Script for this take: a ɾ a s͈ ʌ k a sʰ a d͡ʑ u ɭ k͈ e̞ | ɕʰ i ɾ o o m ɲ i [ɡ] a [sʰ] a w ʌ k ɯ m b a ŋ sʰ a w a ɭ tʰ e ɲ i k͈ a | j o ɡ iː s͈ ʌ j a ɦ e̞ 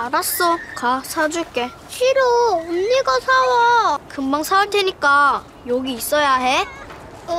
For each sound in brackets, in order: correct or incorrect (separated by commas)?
correct, correct